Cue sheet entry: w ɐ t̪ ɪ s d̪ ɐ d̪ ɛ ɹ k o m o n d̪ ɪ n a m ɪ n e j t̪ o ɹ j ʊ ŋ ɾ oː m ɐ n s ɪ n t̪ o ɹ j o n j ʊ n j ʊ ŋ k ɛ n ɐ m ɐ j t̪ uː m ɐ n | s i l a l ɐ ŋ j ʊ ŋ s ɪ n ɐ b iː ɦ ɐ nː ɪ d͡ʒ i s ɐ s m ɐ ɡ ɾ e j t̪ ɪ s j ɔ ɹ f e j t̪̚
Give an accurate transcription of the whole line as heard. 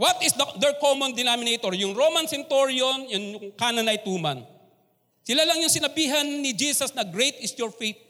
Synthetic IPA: w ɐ t̪ ɪ s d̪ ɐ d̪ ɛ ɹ k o m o n d̪ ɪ n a m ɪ n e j t̪ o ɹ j ʊ ŋ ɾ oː m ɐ n s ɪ n t̪ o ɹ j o n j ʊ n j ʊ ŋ k a n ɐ n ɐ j t̪ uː m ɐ n | s ɪ l a l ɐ ŋ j ʊ ŋ s ɪ n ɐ b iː ɦ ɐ nː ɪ d͡ʒ i s ɐ s n ɐ ɡ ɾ e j t̪ ɪ s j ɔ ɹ f e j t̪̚